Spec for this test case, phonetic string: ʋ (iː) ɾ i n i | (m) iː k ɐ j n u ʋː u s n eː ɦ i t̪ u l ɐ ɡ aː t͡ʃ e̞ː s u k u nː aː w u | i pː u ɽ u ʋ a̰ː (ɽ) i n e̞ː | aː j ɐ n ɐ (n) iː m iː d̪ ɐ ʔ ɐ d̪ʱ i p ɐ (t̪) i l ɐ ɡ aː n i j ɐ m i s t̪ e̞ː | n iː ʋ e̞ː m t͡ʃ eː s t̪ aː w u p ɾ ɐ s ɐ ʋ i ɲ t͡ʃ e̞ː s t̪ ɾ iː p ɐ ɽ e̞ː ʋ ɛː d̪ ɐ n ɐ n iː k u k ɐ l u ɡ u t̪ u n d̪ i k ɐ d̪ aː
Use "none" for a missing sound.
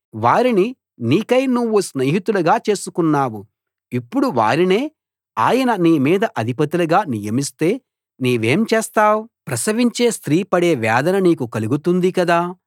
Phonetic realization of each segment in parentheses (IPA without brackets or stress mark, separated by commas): aː, n, ɾ, n, t̪